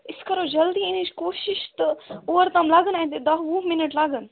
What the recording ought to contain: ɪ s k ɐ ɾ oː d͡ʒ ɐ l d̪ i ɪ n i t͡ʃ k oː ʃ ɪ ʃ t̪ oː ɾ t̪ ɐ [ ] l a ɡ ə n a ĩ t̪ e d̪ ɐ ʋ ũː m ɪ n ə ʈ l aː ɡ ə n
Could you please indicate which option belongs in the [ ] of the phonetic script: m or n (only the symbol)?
m